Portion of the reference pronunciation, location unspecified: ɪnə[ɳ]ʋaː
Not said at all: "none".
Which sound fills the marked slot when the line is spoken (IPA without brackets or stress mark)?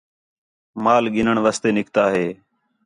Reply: ɳ